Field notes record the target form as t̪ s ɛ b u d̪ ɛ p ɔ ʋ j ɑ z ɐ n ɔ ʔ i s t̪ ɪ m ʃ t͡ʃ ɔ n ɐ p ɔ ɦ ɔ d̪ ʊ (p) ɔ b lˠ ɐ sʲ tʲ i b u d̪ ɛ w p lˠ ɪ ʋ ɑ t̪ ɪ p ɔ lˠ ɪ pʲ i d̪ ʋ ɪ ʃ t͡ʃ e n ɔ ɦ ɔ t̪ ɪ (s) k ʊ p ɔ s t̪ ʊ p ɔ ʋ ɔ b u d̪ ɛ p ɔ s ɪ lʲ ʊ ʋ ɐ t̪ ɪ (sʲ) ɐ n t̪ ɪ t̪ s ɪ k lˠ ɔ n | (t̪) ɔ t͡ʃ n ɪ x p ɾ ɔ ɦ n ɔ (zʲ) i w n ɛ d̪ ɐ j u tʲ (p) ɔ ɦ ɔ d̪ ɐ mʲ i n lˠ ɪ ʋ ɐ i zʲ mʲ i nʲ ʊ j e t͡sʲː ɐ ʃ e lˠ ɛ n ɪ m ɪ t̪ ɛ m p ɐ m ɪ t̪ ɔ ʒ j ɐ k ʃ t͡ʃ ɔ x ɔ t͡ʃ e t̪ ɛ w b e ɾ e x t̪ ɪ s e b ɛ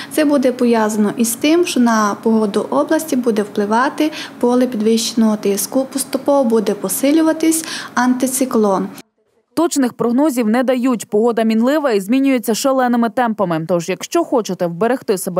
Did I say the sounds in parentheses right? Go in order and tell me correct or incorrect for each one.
incorrect: ʔ, correct, correct, correct, correct, correct

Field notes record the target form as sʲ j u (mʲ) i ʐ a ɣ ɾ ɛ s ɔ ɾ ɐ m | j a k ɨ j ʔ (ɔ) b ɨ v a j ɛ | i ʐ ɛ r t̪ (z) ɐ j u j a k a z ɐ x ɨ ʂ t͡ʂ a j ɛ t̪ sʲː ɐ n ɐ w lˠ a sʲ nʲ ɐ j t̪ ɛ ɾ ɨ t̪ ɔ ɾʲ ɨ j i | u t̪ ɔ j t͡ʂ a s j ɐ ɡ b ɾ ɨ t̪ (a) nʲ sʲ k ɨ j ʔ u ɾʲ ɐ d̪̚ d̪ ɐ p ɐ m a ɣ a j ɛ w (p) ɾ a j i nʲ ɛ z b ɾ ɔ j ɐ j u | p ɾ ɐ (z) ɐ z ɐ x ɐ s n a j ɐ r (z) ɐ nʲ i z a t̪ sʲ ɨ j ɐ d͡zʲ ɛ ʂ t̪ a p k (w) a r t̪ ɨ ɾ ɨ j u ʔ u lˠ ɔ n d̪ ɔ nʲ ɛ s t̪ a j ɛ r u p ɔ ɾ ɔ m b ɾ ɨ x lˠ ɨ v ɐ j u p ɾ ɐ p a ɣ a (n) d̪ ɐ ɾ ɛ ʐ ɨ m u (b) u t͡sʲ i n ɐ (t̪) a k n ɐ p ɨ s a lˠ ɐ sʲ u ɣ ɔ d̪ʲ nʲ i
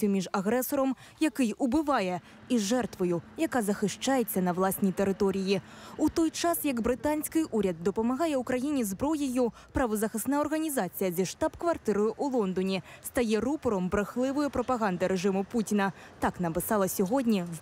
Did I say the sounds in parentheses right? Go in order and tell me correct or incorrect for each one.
correct, incorrect: u, incorrect: v, correct, incorrect: k, incorrect: v, incorrect: ɣ, incorrect: v, correct, incorrect: p, correct

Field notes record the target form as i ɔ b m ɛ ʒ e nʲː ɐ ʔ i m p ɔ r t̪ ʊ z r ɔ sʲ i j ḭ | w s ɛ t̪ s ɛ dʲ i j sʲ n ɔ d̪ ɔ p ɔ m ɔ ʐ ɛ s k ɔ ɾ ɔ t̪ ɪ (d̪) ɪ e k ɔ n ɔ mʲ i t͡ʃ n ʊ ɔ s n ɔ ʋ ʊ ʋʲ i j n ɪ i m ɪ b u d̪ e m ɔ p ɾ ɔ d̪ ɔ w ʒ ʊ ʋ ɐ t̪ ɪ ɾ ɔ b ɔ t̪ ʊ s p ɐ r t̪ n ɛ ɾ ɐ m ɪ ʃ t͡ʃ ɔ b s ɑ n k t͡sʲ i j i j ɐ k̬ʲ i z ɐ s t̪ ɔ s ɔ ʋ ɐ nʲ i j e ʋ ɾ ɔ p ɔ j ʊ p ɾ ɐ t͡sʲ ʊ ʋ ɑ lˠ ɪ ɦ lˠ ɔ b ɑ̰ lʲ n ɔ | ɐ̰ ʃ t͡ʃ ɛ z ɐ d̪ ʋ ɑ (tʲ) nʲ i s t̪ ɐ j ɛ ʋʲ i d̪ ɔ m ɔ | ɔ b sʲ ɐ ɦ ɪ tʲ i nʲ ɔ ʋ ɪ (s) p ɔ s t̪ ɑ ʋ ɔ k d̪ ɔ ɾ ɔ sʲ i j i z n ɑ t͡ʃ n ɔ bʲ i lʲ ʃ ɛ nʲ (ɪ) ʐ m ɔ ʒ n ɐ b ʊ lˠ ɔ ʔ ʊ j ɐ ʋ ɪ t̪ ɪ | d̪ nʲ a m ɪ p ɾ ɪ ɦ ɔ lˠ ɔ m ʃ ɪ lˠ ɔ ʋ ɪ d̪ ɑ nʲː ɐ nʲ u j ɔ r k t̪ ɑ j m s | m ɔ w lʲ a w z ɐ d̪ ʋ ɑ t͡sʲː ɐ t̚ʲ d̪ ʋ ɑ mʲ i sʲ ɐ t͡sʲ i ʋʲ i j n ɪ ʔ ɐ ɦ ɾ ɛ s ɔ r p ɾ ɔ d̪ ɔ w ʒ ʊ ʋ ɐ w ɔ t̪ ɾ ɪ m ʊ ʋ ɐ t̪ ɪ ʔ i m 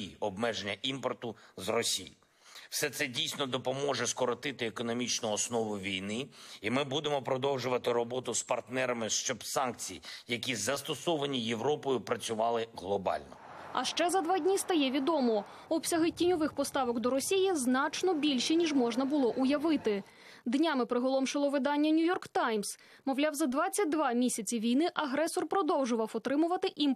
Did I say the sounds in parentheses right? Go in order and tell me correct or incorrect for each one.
incorrect: t̪, incorrect: dʲ, incorrect: x, incorrect: i

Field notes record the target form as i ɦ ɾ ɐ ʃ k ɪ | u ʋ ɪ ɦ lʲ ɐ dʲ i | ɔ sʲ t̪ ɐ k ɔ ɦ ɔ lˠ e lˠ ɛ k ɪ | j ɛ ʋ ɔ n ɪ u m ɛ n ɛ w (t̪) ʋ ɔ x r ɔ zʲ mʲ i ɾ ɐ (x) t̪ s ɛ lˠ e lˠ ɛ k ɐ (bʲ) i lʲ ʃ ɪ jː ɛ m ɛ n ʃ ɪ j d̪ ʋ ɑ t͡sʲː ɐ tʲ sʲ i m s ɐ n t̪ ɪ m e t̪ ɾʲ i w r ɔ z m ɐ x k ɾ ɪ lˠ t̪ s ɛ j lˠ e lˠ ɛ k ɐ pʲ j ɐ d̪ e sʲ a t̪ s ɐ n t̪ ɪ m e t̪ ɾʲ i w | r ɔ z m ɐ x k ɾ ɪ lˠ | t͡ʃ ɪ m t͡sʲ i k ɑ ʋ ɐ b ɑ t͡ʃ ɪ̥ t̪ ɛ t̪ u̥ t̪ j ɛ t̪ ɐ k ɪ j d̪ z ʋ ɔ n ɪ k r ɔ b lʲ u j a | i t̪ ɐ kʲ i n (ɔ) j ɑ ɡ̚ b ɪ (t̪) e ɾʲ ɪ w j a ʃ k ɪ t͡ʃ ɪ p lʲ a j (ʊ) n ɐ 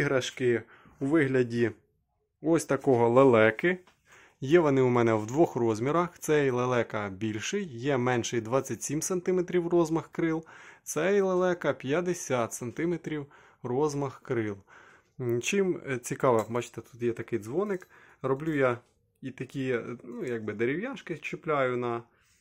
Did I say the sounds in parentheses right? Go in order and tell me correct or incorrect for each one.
incorrect: d̪, correct, correct, incorrect: u, incorrect: d̪, correct

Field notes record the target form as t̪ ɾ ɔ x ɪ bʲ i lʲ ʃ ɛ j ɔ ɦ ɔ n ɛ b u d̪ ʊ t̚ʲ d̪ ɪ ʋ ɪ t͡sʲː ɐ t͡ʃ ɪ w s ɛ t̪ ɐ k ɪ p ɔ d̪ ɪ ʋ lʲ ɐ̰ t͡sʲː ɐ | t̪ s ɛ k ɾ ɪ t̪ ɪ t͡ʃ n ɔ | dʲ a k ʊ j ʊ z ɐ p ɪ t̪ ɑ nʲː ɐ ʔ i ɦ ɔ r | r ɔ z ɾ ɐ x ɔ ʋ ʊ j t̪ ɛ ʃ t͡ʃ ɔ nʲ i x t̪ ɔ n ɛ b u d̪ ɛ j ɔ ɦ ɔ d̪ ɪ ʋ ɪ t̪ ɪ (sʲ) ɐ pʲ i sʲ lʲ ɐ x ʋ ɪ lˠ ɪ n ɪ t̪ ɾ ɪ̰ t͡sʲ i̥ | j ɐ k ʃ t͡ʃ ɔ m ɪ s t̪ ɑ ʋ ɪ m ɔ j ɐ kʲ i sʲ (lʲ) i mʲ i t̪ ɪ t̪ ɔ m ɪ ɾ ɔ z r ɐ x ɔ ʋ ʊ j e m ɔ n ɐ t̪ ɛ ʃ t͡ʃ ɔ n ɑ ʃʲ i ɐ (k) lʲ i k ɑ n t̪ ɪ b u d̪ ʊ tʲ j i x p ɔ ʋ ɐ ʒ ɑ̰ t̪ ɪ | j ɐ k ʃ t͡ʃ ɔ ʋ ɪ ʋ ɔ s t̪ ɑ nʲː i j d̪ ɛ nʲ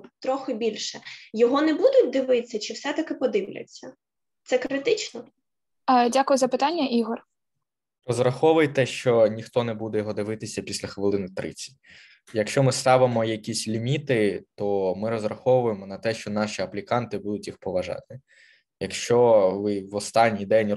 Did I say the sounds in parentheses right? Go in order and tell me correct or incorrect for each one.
correct, correct, incorrect: p

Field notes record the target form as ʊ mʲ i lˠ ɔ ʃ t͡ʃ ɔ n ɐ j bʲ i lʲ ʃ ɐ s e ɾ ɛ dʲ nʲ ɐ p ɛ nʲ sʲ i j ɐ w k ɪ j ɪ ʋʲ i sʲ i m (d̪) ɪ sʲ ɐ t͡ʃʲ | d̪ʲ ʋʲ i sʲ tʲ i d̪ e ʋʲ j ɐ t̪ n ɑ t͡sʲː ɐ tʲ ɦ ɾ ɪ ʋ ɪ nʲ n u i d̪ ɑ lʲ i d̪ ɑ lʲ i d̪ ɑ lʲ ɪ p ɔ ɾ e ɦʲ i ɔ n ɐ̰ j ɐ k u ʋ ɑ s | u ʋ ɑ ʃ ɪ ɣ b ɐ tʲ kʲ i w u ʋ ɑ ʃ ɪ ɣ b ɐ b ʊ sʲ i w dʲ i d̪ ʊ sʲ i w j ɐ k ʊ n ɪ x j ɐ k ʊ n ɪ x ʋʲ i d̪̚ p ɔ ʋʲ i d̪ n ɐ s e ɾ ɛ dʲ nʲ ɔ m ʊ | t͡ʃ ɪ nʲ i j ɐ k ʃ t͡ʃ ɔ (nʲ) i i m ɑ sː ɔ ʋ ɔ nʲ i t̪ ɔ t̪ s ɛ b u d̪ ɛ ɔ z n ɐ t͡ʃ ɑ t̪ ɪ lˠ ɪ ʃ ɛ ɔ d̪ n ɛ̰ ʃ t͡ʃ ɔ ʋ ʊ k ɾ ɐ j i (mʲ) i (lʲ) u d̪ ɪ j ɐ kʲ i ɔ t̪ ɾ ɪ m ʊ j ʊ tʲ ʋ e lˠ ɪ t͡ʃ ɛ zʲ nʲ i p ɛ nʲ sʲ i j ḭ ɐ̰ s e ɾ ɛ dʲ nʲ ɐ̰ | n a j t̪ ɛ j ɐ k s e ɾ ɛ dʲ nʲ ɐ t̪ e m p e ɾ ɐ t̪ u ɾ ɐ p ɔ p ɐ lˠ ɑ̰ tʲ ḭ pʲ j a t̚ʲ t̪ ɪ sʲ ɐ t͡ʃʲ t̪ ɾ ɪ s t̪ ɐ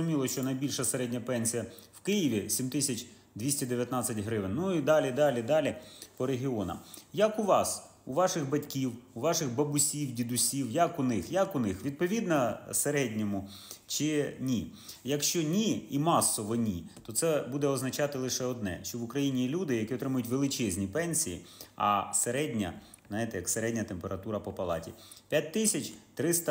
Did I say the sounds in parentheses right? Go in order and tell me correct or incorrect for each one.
incorrect: t̪, correct, incorrect: nʲ, correct

